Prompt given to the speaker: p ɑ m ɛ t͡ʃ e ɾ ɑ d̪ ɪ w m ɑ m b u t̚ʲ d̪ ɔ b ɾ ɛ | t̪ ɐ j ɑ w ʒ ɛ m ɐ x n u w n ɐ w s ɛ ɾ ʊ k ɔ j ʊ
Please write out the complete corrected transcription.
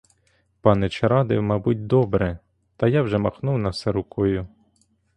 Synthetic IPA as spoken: p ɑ n ɛ t͡ʃ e ɾ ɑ d̪ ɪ w m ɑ b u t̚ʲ d̪ ɔ b ɾ ɛ | t̪ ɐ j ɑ w ʒ ɛ m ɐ x n u w n ɐ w s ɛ ɾ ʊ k ɔ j ʊ